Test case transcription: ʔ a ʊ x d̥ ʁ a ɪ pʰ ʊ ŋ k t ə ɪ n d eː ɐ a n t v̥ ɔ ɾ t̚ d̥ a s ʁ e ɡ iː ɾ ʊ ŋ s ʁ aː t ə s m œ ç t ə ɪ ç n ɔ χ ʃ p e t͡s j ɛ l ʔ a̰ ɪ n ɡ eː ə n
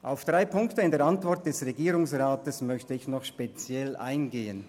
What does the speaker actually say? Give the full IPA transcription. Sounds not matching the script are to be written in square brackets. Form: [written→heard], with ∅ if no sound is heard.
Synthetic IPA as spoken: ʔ a ʊ [x→f] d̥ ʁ a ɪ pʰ ʊ ŋ k t ə ɪ n d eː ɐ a n t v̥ ɔ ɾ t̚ d̥ [a→ɛ] s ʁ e ɡ iː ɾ ʊ ŋ s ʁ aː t ə s m œ ç t ə ɪ ç n ɔ χ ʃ p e t͡s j ɛ l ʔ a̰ ɪ n ɡ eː ə n